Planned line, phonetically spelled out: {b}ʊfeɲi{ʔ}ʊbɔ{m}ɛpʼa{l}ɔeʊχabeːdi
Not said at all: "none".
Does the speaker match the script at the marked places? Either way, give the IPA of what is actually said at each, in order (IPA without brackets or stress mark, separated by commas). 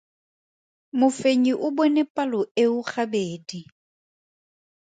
m, ʔ, n, l